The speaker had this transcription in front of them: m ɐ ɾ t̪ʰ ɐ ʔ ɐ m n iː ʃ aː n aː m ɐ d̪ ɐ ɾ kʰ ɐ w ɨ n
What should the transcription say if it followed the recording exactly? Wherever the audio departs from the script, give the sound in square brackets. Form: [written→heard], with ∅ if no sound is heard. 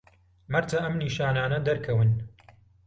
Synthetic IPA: m ɐ ɾ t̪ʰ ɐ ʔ ɐ m n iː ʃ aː n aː [m→n] ɐ d̪ ɐ ɾ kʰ ɐ w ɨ n